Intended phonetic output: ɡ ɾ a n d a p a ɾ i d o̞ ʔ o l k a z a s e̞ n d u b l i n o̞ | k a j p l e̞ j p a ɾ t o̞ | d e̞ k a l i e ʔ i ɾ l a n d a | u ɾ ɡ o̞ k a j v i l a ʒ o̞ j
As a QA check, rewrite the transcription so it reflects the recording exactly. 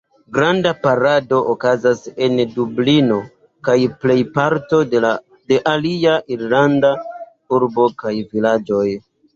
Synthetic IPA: ɡ ɾ a n d a p a ɾ a d o̞ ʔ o k a z a s e̞ n d u b l i n o̞ | k a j p l e̞ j p a ɾ t o̞ | d e̞ ʔ a l i a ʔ i ɾ l a n d a | u ɾ b o̞ k a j v i l a d͡ʒ o̞ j